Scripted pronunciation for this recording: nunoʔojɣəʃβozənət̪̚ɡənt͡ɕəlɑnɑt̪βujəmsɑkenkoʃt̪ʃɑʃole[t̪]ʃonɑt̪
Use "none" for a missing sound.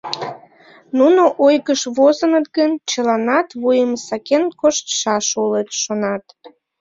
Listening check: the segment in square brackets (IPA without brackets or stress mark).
t̪